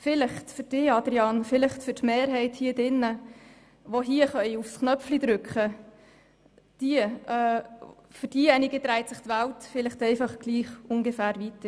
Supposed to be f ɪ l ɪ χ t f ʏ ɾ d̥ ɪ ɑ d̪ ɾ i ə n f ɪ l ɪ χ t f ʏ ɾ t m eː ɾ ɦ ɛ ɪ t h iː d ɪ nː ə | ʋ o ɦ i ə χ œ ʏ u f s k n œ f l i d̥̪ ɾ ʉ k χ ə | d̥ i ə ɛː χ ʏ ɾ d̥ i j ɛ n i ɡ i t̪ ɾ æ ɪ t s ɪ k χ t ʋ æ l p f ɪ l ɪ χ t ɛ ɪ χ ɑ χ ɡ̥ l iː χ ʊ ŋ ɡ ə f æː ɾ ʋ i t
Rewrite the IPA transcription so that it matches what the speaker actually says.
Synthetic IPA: f ɪ l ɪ χ t f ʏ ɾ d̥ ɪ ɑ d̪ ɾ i ɑ n f ɪ l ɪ χ t f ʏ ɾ t m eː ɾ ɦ ɛ ɪ t h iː d ɪ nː ə | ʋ o ɦ i ə χ œ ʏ u f s k n œ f l i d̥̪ ɾ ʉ k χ ə | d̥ i ə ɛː f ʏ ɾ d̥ i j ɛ n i ɡ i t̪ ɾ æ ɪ t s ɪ χ t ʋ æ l t f ɪ l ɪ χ t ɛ ɪ f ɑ χ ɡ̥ l iː χ ʊ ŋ ɡ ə f æː ɾ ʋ i t